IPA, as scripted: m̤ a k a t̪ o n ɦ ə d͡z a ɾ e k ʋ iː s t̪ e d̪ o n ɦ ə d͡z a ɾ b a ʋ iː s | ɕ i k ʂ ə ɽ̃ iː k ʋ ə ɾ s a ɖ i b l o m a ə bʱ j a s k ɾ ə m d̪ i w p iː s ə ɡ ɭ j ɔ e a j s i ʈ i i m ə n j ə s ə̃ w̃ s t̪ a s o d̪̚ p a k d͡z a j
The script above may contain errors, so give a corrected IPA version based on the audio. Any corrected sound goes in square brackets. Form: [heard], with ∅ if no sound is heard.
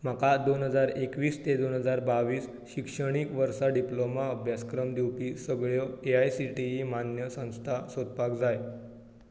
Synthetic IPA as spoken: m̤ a k a [d̪] o n ɦ ə d͡z a ɾ e k ʋ iː s t̪ e d̪ o n ɦ ə d͡z a ɾ b a ʋ iː s | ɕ i k ʂ ə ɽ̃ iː k ʋ ə ɾ s a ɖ i [p] l o m a ə bʱ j a s k ɾ ə m d̪ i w p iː s ə ɡ ɭ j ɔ e a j s i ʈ i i m [a] n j ə s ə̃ w̃ s [t̪ʰ] a s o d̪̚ p a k d͡z a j